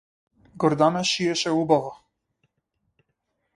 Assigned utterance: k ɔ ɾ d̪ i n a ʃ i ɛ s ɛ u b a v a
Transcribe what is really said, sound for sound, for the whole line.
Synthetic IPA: ɡ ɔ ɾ d̪ a n a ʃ i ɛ ʃ ɛ u b a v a